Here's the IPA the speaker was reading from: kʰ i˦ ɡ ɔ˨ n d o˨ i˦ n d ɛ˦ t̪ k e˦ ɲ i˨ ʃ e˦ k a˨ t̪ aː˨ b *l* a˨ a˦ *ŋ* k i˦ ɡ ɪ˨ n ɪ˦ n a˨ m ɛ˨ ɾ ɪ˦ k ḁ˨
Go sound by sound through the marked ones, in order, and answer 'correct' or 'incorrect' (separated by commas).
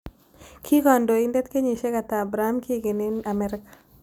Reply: incorrect, incorrect